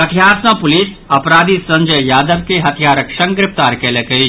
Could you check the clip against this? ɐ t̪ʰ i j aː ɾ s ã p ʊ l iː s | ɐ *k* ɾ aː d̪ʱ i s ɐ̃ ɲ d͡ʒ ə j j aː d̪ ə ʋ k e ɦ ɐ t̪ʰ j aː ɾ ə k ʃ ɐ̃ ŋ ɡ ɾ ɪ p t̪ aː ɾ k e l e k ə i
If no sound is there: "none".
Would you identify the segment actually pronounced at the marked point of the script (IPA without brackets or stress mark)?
p